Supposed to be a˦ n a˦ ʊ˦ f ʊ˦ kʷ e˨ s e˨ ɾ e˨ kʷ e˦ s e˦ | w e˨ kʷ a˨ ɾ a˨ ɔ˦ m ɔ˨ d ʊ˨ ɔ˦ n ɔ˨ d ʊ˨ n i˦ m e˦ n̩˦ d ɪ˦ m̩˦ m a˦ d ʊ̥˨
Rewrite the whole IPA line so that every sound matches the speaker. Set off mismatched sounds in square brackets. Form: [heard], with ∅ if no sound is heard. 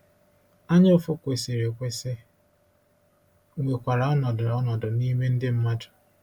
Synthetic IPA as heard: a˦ [ɲ] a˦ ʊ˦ f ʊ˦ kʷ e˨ s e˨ ɾ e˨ kʷ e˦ s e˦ | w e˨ kʷ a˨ ɾ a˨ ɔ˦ [n] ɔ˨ d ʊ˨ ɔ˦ n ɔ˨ d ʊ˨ n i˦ m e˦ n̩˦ d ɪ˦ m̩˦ m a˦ d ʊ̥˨